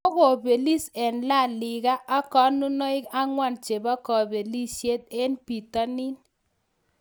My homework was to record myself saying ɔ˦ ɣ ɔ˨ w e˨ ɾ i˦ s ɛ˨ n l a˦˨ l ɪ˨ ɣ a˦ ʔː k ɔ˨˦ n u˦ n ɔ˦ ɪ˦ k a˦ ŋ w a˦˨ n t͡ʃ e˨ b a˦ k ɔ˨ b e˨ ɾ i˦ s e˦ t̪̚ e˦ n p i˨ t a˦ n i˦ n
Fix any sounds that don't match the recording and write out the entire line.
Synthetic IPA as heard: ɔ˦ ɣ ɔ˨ b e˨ l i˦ s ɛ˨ n l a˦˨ l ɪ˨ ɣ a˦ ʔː k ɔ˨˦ n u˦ n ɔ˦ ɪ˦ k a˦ ŋ w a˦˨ n t͡ʃ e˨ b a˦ k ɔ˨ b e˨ l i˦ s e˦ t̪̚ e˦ n p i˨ t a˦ n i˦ n